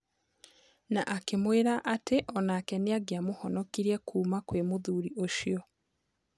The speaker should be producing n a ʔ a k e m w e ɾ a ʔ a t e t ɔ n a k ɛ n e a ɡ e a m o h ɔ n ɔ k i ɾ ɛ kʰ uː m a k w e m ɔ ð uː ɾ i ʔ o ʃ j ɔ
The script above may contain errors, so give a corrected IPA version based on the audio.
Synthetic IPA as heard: n a ʔ a k e m w e ɾ a ʔ a t e ʔ ɔ n a k ɛ n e a ɡ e a m o h ɔ n ɔ k i ɾ ɛ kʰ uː m a k w e m o ð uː ɾ i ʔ o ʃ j ɔ